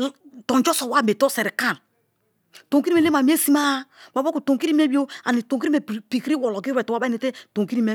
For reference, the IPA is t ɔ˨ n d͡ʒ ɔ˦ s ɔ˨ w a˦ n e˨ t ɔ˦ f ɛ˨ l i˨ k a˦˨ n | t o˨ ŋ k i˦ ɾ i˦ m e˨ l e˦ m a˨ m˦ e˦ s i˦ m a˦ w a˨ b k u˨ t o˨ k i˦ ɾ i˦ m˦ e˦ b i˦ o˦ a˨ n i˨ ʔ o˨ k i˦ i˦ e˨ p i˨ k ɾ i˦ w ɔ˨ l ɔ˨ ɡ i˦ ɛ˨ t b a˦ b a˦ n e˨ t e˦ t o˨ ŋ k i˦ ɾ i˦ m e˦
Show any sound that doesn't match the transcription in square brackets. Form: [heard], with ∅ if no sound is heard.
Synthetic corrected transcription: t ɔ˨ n d͡ʒ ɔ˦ s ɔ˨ w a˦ [m] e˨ t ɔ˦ [s] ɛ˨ [ɾ] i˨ k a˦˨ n | t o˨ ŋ k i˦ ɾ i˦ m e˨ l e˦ m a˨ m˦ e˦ s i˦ m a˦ w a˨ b k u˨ t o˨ k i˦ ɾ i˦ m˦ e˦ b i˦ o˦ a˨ n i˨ [t] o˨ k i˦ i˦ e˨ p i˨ k ɾ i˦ w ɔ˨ l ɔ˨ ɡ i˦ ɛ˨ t [w] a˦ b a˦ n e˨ t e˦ t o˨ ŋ k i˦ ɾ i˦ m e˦